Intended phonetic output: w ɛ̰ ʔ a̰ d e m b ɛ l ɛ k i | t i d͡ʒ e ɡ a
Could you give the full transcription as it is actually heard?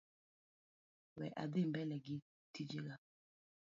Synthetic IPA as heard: w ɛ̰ ʔ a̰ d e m b ɛ l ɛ ɡ i | t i d͡ʒ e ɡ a